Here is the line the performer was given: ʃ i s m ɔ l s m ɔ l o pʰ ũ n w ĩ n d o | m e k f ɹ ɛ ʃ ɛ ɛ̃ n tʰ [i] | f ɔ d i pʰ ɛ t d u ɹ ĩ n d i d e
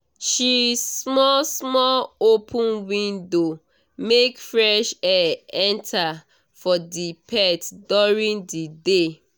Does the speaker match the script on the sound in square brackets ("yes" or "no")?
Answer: no